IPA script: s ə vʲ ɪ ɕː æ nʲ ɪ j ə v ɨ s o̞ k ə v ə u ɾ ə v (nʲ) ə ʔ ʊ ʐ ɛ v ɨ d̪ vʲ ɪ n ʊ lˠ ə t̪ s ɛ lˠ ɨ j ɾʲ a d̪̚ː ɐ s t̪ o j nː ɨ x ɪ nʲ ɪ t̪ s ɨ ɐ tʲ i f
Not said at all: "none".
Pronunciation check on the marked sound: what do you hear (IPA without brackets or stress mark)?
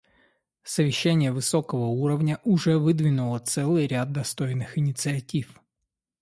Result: nʲ